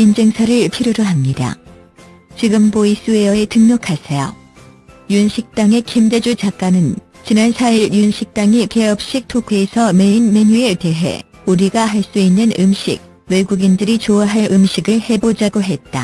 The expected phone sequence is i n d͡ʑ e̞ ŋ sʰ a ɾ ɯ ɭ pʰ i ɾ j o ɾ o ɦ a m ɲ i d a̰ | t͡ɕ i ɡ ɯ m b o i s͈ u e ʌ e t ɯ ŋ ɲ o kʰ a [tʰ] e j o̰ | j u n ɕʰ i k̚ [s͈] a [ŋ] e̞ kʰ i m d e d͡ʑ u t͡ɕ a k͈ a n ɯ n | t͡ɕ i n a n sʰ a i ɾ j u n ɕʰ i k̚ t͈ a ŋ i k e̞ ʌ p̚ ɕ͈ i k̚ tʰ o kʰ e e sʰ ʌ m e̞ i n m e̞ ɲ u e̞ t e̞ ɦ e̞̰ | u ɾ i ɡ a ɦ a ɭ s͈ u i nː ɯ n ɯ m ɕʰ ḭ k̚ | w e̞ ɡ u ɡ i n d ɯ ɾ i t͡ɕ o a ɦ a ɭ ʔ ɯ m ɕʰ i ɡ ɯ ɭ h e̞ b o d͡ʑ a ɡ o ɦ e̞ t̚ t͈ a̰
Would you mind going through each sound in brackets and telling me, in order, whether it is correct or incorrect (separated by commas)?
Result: incorrect, incorrect, correct